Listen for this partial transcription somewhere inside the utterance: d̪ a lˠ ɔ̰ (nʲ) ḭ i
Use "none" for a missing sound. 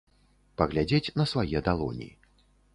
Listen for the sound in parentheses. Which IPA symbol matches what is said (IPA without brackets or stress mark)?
nʲ